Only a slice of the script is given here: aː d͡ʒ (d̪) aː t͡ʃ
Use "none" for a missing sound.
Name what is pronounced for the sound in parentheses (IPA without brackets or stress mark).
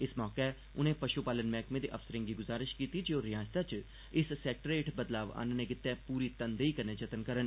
t̪